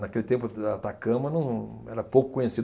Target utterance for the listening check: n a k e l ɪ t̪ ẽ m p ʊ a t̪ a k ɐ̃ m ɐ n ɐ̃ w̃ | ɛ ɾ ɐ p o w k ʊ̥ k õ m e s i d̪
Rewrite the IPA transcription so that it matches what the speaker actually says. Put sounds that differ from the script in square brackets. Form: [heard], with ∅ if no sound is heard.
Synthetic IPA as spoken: n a k e l ɪ t̪ ẽ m p ʊ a t̪ a k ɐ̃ m ɐ n ɐ̃ w̃ | ɛ ɾ ɐ p o w k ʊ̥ k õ [ɲ] e s i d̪